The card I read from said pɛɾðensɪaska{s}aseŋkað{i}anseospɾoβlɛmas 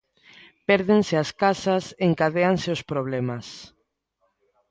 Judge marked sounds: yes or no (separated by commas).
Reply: yes, no